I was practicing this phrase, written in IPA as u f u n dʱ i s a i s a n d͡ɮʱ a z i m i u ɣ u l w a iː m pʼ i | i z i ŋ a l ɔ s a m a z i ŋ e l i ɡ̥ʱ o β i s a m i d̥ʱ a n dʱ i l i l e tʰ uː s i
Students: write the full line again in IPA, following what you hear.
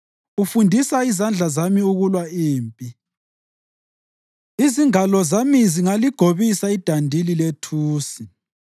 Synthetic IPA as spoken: u f u n dʱ i s a i z a n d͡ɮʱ a z a m i u ɣ u l w a iː m pʼ i | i z i ŋ a l ɔ z a m i z i ŋ a l i ɡ̥ʱ o β i s a i d̥ʱ a n dʱ i l i l e tʰ uː s i